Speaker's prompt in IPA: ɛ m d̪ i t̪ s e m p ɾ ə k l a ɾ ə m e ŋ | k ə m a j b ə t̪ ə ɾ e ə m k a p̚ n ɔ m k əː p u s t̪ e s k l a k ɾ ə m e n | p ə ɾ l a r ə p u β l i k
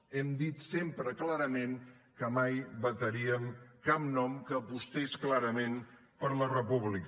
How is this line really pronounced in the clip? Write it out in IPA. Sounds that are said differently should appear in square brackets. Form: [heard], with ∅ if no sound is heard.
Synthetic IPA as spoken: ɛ m d̪ i t̪ s e m p ɾ ə k l a ɾ ə m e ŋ | k ə m a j b ə t̪ ə ɾ [i] ə m k a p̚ n ɔ m k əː p u s t̪ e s k l a [∅] ɾ ə m e n | p ə ɾ l [ə] r ə p u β l i k

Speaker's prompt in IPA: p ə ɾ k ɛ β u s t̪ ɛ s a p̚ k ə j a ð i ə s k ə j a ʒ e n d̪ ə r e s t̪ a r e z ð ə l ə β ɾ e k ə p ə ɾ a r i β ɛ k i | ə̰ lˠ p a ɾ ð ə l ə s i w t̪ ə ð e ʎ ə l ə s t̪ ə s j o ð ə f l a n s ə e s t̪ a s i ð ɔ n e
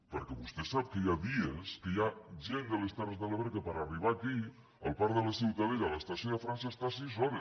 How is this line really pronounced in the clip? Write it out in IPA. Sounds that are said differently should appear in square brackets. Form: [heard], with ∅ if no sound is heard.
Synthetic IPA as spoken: p ə ɾ k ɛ β u s t̪ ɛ s a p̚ k ə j a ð i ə s k ə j a ʒ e n d̪ ə [l] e s t̪ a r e z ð ə l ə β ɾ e k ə p ə ɾ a r i β [a] k i | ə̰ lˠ p a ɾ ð ə l ə s i w t̪ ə ð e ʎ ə l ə s t̪ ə s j o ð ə f [ɾ] a n s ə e s t̪ a s i [z] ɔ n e

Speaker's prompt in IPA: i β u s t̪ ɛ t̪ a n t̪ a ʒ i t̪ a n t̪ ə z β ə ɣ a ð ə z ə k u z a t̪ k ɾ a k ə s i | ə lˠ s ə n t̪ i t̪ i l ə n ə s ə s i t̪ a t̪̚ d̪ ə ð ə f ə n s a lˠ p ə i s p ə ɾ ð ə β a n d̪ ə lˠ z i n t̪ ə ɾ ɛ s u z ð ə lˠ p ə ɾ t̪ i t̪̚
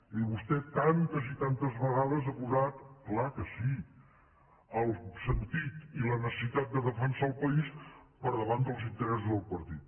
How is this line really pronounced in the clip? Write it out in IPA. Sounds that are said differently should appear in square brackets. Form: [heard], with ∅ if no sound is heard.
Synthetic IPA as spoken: i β u s t̪ ɛ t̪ a n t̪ a ʒ i t̪ a n t̪ ə z β ə ɣ a ð ə z ə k u z a t̪ k [l] a k ə s i | ə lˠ s ə n t̪ i t̪ i l ə n ə s ə s i t̪ a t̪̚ d̪ ə ð ə f ə n s a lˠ p ə i s p ə ɾ ð ə β a n d̪ ə lˠ z i n t̪ ə ɾ ɛ s u z ð ə lˠ p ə ɾ t̪ i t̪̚

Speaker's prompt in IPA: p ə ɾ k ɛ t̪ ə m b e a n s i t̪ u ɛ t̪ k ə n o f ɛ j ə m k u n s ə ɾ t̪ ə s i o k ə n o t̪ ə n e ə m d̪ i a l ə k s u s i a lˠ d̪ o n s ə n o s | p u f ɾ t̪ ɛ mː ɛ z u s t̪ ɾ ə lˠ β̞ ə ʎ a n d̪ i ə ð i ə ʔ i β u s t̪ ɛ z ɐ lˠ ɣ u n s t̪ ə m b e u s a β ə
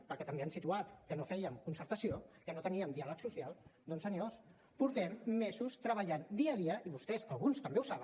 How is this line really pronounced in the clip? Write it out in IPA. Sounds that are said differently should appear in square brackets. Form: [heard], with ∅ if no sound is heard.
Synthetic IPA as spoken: p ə ɾ k ɛ t̪ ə m b e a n s i t̪ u [a] t̪ k ə n o f ɛ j ə m k u n s ə ɾ t̪ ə s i o k ə n o t̪ ə n [i] ə m d̪ i a l ə k s u s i a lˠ d̪ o n s ə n o s | p u [∅] ɾ t̪ ɛ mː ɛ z u s t̪ ɾ ə [∅] β̞ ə ʎ a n d̪ i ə ð i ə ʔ i β u s t̪ ɛ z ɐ lˠ ɣ u n s t̪ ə m b e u s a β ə

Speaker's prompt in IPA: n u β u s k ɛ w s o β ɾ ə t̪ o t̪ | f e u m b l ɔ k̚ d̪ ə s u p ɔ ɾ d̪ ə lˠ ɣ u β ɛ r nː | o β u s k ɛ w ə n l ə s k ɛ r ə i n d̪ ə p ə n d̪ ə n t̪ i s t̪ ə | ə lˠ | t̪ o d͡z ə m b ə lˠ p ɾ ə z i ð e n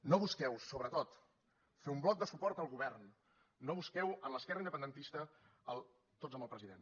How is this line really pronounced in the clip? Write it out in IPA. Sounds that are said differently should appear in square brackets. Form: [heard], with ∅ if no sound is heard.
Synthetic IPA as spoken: n [o] β u s k ɛ w s o β ɾ ə t̪ o t̪ | f e u m b l ɔ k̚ d̪ ə s u p ɔ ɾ [t̪] ə lˠ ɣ u β ɛ r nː | o β u s k ɛ w ə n l ə s k ɛ r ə i n d̪ ə p ə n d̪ ə n t̪ i s t̪ ə | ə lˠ | t̪ o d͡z ə m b ə lˠ p ɾ ə z i ð e n

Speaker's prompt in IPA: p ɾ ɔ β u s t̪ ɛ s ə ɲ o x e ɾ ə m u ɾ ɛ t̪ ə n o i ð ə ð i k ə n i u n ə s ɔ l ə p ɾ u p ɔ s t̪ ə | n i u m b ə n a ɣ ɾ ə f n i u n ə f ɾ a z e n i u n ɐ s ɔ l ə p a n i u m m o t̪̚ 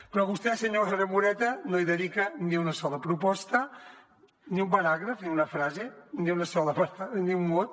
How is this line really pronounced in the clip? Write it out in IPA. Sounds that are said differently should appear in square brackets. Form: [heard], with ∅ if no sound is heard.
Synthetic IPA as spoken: p ɾ ɔ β u s t̪ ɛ s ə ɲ o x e ɾ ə m u ɾ ɛ t̪ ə n o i ð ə ð i k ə n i u n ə s ɔ l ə p ɾ u p ɔ s t̪ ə | n i u m b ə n a ɣ ɾ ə f n i u n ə f ɾ a z e n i u n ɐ s ɔ l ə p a n i u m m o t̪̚

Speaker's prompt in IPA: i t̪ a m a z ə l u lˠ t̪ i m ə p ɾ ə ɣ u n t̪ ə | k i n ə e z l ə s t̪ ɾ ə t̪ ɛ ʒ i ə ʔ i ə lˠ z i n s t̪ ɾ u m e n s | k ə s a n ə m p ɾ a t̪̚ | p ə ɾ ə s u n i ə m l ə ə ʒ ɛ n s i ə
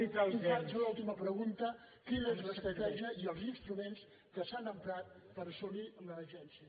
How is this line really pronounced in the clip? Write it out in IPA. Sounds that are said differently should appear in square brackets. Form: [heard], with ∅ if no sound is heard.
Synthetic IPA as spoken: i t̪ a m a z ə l u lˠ t̪ i m ə p ɾ ə ɣ u n t̪ ə | k i n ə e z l ə s t̪ ɾ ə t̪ ɛ ʒ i ə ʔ i ə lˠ z i n s t̪ ɾ u m e n s | k ə s a n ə m p ɾ a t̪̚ | p ə ɾ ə s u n i ə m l ə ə ʒ ɛ n s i ə

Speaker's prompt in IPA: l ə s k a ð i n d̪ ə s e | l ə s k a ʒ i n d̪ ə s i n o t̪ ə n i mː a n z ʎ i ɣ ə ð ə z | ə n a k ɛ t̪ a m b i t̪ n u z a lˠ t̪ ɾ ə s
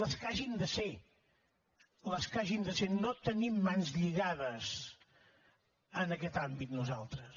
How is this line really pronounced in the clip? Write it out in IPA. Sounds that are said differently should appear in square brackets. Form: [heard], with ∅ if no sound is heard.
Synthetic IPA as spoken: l ə s k a [ʒ] i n d̪ ə s e | l ə s k a ʒ i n d̪ ə s [e] n o t̪ ə n i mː a n z ʎ i ɣ [a] ð ə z | ə n [ə] k ɛ t̪ a m b i t̪ n u z a lˠ t̪ ɾ ə s

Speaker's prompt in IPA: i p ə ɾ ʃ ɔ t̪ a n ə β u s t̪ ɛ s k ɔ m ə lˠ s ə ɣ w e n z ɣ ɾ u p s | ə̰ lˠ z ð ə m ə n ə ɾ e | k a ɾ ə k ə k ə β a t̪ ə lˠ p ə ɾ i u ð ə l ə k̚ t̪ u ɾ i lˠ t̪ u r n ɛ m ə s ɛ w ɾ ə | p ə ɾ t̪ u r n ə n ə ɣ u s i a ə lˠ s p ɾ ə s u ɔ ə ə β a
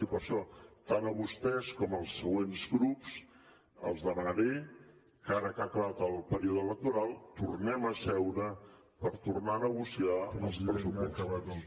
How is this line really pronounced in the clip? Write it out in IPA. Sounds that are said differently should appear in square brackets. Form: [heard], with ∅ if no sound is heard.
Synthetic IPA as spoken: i p ə ɾ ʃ ɔ t̪ a n ə β u s t̪ ɛ s k ɔ m ə lˠ s ə ɣ w e n z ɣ ɾ u p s | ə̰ lˠ z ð ə m ə n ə ɾ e | k a ɾ ə k [a] k ə β a t̪ ə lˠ p ə ɾ i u ð ə l ə k̚ t̪ u ɾ [a] lˠ t̪ u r n ɛ m ə s ɛ w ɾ ə | p ə ɾ t̪ u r n [a] n ə ɣ u s i a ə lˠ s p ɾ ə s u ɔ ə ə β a

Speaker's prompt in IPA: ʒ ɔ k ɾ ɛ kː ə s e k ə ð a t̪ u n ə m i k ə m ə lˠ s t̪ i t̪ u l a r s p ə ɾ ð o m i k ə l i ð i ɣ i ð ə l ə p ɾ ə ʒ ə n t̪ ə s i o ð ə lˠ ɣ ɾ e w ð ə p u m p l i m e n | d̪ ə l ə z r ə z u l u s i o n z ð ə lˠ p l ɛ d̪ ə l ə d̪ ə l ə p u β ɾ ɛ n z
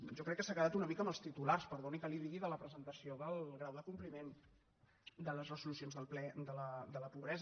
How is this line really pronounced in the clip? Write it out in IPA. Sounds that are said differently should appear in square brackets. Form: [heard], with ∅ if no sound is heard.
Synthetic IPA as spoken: ʒ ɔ k ɾ ɛ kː ə s [a] k ə ð a t̪ u n ə m i k ə m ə lˠ s t̪ i t̪ u l a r s p ə ɾ ð o [n] i k ə l i ð i ɣ i ð ə l ə p ɾ ə [z] ə n t̪ ə s i o ð ə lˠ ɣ ɾ [a] w ð ə [k] u m p l i m e n | d̪ ə l ə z r ə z u l u s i o n z ð ə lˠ p l ɛ d̪ ə l ə d̪ ə l ə p u β ɾ ɛ [∅] z

